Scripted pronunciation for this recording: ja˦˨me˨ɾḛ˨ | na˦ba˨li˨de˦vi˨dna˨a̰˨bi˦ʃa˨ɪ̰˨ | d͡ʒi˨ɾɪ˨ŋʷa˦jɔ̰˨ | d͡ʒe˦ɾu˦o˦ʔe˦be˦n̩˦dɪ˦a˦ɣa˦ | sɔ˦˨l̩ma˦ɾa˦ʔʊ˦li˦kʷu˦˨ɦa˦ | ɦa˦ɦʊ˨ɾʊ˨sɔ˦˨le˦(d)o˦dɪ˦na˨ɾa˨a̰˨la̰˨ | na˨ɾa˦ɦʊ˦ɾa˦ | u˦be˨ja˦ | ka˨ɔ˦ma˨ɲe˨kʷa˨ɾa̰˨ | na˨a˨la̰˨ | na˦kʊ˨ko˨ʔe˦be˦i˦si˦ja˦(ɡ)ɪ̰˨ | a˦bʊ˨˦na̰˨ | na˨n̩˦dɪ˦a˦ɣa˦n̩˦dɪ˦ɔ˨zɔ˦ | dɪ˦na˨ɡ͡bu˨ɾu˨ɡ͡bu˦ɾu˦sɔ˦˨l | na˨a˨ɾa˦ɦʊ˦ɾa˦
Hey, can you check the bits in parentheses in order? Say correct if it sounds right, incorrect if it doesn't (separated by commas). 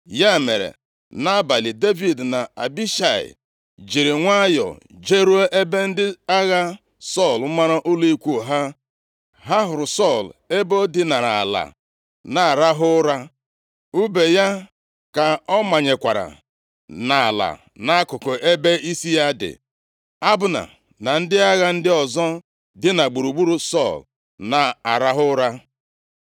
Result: incorrect, incorrect